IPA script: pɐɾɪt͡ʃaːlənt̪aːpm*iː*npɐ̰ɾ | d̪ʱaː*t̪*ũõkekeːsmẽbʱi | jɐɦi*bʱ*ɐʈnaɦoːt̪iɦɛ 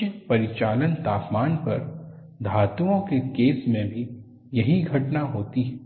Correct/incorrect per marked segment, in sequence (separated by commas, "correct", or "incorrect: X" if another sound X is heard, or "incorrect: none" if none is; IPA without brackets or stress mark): incorrect: aː, correct, incorrect: ɡʱ